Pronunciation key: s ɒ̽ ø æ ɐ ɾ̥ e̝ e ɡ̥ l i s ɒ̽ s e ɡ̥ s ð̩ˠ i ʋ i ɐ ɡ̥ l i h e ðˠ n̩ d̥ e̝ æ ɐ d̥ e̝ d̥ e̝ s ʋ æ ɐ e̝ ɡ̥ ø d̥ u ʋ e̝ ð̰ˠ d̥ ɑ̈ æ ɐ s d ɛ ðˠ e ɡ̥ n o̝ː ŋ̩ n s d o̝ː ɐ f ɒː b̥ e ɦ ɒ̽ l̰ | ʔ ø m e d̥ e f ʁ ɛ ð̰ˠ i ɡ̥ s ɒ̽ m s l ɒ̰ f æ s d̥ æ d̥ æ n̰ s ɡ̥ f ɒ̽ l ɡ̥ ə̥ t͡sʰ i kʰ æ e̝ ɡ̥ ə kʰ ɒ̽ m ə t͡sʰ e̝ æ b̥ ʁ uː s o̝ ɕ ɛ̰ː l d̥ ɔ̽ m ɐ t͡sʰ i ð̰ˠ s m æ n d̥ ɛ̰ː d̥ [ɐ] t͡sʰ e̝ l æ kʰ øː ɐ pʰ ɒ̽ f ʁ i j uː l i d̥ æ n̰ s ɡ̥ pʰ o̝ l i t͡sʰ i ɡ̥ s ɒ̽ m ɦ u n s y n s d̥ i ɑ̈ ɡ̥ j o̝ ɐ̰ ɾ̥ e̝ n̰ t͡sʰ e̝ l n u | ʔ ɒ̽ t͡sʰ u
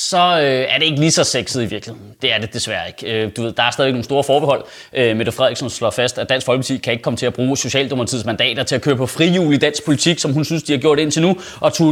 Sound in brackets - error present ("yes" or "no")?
no